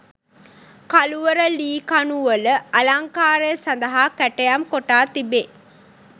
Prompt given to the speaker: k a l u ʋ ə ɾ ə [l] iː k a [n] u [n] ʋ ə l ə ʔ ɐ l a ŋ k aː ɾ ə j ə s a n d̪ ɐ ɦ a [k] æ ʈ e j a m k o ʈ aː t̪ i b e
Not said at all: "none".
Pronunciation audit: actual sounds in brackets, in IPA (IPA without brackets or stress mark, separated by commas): l, n, none, k